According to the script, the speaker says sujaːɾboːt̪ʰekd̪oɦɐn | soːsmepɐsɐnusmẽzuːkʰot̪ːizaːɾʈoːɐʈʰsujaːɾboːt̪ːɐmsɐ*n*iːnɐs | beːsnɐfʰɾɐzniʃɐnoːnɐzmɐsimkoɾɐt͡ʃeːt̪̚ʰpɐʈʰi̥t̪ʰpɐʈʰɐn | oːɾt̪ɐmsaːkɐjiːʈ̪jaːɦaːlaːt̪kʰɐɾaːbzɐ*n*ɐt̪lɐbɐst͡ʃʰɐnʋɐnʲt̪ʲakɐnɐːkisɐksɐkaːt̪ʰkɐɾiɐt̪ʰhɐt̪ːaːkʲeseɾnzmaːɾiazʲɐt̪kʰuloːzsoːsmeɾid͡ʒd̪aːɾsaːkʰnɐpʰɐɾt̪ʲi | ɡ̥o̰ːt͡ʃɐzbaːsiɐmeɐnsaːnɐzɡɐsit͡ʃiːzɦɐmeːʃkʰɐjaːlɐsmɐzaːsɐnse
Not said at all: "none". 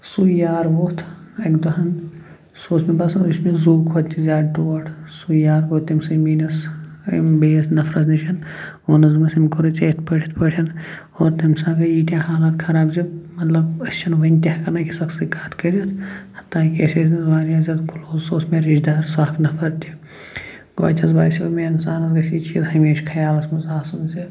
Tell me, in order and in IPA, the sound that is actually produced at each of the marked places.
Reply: m, m

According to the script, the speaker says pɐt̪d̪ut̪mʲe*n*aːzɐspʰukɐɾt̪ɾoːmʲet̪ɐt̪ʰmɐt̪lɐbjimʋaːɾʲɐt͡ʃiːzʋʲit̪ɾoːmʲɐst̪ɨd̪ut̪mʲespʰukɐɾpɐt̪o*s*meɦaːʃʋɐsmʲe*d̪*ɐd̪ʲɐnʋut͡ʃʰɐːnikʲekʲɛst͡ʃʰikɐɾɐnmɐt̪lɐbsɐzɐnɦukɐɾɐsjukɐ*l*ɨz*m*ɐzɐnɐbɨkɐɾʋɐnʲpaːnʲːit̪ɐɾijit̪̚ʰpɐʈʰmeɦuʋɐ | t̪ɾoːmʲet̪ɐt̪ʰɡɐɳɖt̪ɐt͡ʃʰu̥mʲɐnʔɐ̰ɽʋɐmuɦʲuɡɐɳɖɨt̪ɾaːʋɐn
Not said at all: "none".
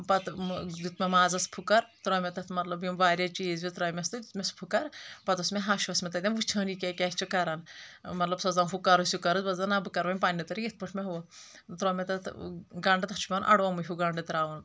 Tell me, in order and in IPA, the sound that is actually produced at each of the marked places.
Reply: m, s, t̪, ɾ, b

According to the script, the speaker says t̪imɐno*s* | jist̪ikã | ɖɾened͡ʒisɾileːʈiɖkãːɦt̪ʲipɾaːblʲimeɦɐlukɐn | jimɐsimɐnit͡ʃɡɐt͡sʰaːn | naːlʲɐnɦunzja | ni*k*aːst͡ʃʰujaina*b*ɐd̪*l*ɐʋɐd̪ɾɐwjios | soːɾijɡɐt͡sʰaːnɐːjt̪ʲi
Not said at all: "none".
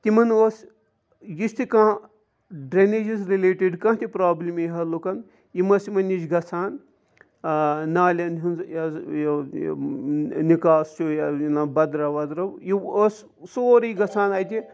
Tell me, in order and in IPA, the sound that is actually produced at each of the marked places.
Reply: s, k, b, ɾ

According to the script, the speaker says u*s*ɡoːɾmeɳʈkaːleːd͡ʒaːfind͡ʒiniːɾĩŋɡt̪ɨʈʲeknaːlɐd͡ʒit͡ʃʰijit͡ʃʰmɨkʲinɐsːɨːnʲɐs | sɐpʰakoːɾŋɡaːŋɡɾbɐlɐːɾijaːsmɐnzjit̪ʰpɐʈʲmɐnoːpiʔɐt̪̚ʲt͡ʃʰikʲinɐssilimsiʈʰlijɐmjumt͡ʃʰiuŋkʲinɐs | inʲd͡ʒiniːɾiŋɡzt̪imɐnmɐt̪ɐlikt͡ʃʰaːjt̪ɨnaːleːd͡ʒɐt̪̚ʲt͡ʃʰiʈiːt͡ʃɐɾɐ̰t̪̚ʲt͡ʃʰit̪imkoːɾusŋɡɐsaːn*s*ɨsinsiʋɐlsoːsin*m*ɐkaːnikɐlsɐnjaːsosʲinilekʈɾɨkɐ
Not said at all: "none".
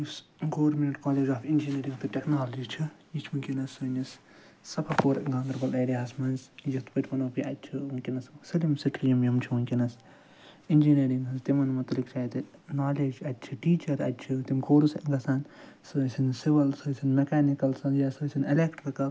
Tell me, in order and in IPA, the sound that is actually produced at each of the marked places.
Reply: s, s, m

